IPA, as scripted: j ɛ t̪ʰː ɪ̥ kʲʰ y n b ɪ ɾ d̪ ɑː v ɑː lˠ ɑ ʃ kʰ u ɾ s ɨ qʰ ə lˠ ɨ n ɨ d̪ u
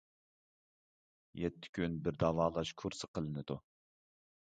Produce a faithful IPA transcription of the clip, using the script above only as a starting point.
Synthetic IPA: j ɛ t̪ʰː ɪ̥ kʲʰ y n b ɪ ɾ d̪ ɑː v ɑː lˠ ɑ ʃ kʰ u ɾ s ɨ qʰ ə lˠ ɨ n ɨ d̪ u